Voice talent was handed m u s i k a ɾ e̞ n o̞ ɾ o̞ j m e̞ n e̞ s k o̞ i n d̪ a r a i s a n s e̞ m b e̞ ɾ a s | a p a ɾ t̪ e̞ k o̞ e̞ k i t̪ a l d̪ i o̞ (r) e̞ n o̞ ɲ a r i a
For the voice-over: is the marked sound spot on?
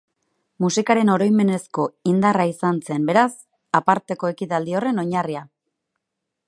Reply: yes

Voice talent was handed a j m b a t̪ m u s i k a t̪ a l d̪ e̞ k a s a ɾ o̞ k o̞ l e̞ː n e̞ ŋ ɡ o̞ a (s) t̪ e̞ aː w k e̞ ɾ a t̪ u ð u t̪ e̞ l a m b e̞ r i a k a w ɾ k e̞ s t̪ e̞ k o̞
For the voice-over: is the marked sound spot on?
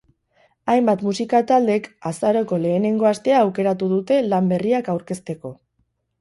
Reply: yes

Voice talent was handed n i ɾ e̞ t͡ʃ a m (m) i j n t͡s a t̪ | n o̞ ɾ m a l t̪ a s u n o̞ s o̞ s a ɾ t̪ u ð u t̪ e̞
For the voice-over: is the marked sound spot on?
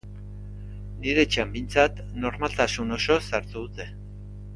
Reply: no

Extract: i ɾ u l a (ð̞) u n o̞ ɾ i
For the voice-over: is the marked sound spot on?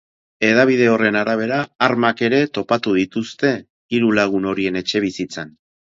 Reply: no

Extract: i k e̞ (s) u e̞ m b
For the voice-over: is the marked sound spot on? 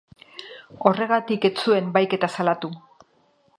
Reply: no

